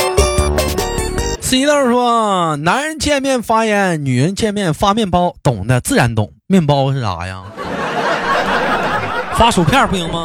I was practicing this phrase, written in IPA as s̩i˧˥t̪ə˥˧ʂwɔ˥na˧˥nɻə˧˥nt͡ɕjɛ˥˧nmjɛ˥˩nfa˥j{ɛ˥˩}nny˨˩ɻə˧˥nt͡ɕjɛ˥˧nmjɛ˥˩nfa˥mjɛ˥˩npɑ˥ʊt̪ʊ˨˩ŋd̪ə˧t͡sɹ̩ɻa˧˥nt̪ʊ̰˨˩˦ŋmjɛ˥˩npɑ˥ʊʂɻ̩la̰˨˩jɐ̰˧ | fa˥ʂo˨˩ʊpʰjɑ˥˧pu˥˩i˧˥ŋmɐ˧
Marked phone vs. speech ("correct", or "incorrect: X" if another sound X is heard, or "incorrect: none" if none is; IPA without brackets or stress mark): incorrect: ɛ˧˥